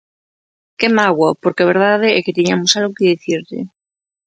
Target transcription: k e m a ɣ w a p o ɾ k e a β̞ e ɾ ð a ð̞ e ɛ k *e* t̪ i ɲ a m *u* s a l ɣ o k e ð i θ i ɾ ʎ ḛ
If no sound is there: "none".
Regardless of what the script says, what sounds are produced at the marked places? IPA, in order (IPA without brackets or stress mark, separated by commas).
e, o